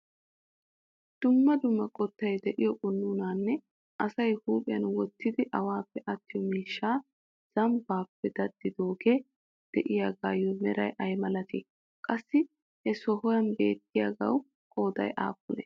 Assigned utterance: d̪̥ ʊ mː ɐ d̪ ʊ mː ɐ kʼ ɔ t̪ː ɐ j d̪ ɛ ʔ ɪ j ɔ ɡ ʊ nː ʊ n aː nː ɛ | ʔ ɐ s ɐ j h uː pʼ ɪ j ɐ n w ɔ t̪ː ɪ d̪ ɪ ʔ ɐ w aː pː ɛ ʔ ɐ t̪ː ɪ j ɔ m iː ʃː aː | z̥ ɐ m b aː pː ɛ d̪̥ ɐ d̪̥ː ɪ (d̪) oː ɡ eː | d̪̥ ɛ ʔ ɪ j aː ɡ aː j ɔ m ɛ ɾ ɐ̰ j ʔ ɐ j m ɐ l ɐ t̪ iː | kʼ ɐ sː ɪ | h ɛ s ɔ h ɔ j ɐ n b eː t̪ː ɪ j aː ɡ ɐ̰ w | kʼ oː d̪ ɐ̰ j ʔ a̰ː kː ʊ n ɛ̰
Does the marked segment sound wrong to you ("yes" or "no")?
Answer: no